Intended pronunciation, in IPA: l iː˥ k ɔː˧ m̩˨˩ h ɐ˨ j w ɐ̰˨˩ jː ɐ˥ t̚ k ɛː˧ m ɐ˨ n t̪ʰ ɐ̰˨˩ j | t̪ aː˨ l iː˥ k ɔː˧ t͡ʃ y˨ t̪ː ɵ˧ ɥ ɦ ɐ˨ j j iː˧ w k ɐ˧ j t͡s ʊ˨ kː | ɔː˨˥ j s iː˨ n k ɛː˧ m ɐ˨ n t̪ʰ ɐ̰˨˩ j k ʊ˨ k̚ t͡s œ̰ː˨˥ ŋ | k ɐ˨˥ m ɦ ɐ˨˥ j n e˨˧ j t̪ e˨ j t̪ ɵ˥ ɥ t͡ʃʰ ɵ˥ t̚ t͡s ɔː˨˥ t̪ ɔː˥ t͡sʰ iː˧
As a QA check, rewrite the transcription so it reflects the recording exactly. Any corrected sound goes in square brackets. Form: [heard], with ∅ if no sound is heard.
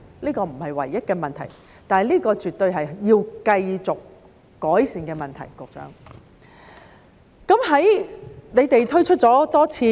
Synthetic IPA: l iː˥ k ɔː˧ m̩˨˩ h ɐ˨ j w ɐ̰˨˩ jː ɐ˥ t̚ k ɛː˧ m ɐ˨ n t̪ʰ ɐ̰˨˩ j | t̪ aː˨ l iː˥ k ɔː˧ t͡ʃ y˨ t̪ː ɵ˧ ɥ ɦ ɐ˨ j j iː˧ w k ɐ˧ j t͡s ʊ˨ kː | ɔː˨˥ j s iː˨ n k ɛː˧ m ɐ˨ n t̪ʰ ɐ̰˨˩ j k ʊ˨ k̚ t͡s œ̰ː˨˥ ŋ | k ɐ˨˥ m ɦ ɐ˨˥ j n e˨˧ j t̪ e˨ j [t̪ʰ] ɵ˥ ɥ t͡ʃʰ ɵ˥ t̚ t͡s ɔː˨˥ t̪ ɔː˥ t͡sʰ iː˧